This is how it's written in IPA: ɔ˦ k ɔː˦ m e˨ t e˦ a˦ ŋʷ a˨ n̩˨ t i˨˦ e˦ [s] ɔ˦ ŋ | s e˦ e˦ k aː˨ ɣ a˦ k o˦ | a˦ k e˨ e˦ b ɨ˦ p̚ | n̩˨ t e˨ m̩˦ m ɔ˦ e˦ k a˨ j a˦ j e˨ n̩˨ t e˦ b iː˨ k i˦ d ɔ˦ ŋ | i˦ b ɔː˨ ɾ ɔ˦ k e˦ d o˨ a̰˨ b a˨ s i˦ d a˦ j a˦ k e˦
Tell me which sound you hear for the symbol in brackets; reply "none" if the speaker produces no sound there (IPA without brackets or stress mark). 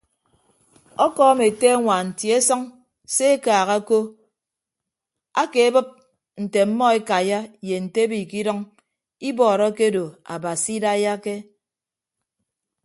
s